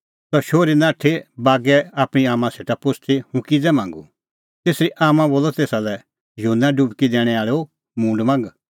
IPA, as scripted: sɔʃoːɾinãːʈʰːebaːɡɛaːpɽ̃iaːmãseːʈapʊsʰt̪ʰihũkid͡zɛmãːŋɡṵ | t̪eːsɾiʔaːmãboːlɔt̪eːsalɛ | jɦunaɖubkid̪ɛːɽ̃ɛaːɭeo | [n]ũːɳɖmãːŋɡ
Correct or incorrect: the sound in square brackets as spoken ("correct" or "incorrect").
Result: incorrect